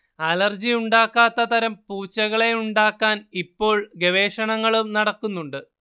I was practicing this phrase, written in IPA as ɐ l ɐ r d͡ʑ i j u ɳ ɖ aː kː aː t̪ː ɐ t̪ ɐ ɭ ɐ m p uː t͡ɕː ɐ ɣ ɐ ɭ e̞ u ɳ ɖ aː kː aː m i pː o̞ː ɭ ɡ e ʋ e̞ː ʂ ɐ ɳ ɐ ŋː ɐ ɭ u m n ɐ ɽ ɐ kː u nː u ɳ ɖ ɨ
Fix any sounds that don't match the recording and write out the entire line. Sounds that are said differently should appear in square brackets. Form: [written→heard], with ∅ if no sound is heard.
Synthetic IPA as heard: ɐ l ɐ r d͡ʑ i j u ɳ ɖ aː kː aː t̪ː ɐ t̪ ɐ [ɭ→ɾ] ɐ m p uː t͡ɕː ɐ ɣ ɐ ɭ e̞ u ɳ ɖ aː kː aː [m→n] i pː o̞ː ɭ ɡ e ʋ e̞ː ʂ ɐ ɳ ɐ ŋː ɐ ɭ u m n ɐ ɽ ɐ kː u nː u ɳ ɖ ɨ